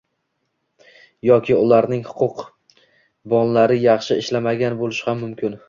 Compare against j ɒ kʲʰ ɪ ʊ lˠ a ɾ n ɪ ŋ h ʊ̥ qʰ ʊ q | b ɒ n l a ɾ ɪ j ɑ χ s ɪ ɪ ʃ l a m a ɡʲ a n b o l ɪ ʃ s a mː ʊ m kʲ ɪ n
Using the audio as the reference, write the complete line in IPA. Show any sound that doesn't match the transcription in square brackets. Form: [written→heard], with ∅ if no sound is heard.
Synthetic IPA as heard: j ɒ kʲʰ ɪ ʊ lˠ a ɾ n ɪ ŋ h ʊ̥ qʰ ʊ q | b ɒ n l a ɾ ɪ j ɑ χ [s→ʃ] ɪ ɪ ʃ l a m a ɡʲ a n b o l ɪ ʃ [s→h] a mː ʊ m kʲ ɪ n